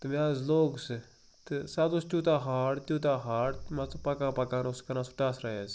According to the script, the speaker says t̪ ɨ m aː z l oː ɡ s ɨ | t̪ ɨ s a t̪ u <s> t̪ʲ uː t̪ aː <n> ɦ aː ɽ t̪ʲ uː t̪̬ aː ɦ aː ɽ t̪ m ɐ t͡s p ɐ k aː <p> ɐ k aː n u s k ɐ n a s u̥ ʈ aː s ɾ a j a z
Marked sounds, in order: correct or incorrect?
correct, incorrect, correct

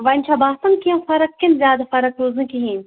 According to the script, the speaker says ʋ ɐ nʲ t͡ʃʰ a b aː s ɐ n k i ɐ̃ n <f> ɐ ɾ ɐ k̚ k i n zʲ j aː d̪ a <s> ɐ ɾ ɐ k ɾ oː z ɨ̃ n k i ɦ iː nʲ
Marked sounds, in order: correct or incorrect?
correct, incorrect

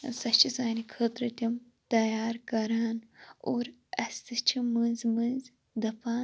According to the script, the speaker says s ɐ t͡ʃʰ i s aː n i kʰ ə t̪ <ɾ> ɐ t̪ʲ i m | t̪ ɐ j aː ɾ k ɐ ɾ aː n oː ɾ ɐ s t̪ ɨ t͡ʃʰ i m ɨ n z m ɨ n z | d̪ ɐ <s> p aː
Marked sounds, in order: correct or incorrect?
correct, incorrect

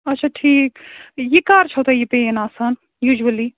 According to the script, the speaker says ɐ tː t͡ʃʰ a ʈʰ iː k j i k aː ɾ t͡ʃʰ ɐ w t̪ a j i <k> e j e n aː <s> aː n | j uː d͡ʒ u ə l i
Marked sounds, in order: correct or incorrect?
incorrect, correct

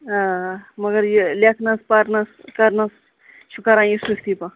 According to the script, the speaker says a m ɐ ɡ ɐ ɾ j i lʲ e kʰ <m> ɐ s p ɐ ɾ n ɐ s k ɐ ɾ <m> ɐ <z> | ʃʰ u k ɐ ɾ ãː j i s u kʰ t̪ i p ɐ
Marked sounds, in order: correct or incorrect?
incorrect, incorrect, incorrect

